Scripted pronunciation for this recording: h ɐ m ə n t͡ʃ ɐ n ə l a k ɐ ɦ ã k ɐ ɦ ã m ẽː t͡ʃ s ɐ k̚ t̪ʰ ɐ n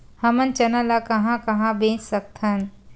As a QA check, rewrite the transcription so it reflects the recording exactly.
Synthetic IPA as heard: h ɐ m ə n t͡ʃ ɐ n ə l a k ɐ ɦ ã k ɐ ɦ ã b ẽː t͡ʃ s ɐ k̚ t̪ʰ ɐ n